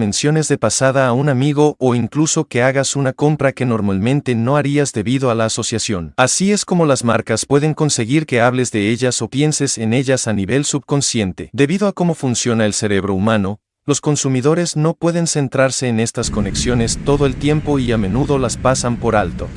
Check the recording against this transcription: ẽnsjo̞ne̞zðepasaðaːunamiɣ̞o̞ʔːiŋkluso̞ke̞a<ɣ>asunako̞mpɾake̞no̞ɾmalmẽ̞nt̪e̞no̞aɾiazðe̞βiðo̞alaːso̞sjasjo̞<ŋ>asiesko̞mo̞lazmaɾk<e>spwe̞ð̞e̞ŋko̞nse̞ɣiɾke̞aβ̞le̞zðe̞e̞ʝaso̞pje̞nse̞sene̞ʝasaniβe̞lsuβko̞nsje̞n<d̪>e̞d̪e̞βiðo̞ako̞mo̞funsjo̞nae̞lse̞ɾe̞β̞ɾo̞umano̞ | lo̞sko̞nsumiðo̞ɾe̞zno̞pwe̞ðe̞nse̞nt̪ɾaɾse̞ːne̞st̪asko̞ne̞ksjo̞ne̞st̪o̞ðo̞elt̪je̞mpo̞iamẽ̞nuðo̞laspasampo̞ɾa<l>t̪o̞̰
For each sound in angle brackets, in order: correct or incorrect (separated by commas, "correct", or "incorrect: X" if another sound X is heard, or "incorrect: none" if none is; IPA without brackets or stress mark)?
correct, incorrect: n, incorrect: a, incorrect: t̪, correct